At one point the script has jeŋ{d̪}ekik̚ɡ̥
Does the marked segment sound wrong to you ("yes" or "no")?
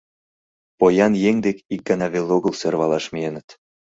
no